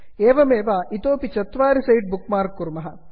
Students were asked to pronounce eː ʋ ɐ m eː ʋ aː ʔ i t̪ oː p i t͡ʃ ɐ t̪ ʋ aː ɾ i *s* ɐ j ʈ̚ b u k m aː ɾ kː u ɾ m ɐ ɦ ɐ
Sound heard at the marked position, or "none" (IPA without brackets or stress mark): s